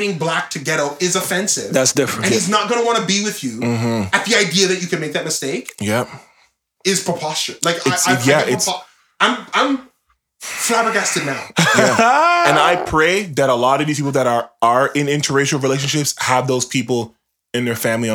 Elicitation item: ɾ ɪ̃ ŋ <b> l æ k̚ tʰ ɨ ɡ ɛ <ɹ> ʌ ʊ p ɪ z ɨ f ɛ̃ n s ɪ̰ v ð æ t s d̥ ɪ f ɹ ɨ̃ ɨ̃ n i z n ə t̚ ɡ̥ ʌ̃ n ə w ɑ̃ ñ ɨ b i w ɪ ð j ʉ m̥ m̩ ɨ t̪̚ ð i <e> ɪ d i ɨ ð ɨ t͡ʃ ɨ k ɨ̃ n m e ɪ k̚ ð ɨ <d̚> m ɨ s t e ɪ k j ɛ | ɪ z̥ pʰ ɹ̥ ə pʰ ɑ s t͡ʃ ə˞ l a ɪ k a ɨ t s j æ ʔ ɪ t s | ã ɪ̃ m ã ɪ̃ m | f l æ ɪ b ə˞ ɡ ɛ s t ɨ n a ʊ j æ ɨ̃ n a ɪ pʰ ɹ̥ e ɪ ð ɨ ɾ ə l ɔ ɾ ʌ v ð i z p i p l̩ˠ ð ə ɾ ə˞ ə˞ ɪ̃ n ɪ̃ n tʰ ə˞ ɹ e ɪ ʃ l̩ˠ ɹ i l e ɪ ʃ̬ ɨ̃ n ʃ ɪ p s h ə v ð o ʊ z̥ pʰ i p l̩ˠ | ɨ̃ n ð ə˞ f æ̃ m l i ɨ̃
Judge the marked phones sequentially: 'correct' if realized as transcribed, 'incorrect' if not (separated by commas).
correct, incorrect, incorrect, incorrect